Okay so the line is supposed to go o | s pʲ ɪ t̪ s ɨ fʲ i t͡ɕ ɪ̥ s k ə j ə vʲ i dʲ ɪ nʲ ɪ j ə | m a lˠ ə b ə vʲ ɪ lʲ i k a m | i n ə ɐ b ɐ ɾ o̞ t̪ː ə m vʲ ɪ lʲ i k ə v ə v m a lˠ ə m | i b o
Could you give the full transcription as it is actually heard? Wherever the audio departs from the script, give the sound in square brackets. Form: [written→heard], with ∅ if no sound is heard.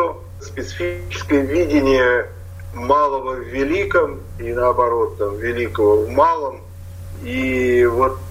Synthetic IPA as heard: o | s pʲ ɪ t̪ s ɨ fʲ i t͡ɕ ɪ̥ s k ə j ə vʲ i dʲ ɪ nʲ ɪ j ə | m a lˠ ə [b→v] ə vʲ ɪ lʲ i k [a→ə] m | i n ə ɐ b ɐ ɾ o̞ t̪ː [ə→a] m vʲ ɪ lʲ i k ə v ə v m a lˠ ə m | i [b→v] o